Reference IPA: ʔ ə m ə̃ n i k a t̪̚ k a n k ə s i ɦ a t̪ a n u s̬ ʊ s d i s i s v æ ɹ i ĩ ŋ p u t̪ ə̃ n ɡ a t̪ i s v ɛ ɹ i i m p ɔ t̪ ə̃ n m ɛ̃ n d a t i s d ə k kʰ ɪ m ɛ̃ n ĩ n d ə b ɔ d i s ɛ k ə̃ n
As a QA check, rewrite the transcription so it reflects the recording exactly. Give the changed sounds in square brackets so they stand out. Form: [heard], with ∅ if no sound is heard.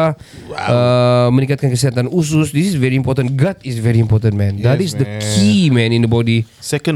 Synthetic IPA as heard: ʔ ə m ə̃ n i k a t̪̚ k a n k ə s i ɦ a t̪ a n u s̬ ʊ s d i s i s v [ɛ] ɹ i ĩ [m] p [ɔ] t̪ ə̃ n ɡ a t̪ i s v ɛ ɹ i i m p ɔ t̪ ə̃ n m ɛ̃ n d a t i s d ə k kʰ [i] m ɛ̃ n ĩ n d ə b ɔ d i s ɛ k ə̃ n